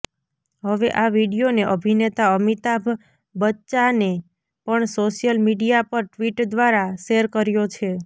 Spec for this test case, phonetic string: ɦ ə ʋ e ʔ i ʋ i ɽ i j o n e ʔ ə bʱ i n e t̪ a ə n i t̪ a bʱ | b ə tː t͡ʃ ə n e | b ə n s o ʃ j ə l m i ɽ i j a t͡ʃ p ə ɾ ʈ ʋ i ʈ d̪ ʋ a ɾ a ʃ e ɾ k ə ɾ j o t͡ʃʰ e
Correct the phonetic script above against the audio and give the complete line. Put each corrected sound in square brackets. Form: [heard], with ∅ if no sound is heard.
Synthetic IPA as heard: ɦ ə ʋ e ʔ [a] ʋ i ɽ i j o n e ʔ ə bʱ i n e t̪ a ə [m] i t̪ a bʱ | b ə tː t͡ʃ [a] n e | [p] ə [ɳ] s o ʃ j ə l m i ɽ i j a [∅] p ə ɾ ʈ ʋ i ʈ d̪ ʋ a ɾ a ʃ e ɾ k ə ɾ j o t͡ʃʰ e